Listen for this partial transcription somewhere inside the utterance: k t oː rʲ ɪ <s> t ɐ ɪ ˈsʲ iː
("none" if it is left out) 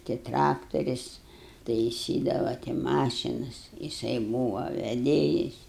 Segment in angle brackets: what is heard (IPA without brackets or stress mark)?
s